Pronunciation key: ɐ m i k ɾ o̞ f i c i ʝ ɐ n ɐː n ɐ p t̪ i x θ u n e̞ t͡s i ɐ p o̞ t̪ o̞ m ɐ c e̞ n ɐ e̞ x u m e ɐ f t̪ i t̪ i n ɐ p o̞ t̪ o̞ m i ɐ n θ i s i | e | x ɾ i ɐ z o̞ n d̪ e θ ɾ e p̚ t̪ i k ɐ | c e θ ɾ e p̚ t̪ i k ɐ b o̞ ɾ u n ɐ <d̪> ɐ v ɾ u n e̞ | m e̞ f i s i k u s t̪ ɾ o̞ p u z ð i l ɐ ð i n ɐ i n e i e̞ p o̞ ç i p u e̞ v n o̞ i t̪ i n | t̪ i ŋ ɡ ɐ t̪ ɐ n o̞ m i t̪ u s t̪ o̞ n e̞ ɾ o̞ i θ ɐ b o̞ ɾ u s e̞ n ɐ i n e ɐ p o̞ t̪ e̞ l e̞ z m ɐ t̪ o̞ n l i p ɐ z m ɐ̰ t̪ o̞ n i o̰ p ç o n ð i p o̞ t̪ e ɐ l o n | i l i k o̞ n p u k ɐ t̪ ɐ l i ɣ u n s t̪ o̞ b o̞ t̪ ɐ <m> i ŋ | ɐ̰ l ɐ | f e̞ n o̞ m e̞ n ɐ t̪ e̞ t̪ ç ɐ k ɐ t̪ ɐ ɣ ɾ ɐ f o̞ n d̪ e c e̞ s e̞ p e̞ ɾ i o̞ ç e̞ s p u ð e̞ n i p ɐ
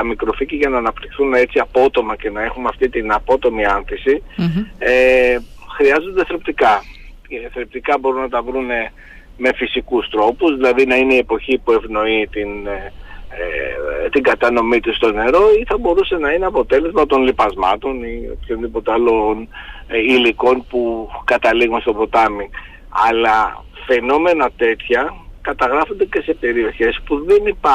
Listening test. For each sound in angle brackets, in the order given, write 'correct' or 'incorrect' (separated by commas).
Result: incorrect, correct